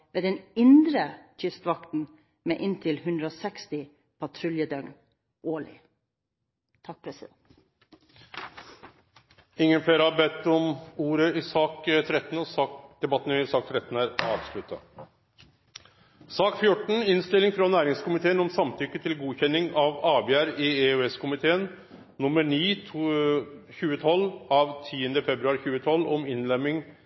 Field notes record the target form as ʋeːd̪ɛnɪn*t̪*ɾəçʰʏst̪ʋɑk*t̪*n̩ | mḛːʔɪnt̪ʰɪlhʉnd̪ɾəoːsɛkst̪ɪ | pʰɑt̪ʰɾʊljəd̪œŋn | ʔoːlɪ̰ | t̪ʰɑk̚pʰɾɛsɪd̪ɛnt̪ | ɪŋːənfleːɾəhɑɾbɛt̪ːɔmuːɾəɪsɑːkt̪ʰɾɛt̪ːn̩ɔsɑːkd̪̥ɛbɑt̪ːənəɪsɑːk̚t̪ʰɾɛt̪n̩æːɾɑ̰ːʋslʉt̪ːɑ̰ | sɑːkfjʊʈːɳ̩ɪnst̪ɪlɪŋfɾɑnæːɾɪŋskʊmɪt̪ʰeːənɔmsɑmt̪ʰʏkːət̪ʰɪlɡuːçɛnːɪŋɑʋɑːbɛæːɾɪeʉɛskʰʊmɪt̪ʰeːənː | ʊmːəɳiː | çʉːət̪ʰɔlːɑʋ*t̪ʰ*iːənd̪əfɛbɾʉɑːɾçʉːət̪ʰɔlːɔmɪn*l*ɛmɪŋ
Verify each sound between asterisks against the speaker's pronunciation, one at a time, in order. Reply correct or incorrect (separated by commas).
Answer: incorrect, correct, correct, correct